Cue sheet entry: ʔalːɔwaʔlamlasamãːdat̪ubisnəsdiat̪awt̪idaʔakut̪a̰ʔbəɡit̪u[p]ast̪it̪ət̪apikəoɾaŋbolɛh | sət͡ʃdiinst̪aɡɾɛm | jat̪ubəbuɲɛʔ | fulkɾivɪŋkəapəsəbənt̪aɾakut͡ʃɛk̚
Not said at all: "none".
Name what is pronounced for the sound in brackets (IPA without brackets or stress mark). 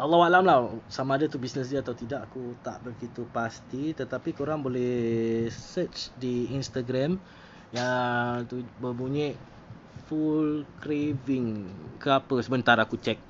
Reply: p